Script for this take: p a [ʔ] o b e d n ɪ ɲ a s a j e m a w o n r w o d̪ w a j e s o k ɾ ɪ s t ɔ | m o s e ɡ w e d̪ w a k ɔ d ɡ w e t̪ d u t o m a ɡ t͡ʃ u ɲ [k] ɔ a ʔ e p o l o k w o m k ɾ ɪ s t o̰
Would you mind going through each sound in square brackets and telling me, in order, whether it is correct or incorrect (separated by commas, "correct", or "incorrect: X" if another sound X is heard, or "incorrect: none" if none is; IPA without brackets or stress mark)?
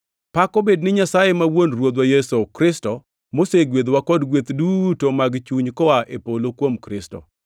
incorrect: k, correct